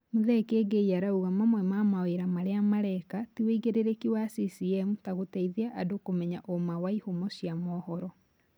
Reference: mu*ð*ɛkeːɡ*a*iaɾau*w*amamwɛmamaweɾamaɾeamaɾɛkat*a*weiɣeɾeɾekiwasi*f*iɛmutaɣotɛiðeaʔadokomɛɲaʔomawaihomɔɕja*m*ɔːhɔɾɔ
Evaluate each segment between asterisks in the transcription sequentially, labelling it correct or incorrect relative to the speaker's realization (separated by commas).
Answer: correct, incorrect, incorrect, incorrect, incorrect, correct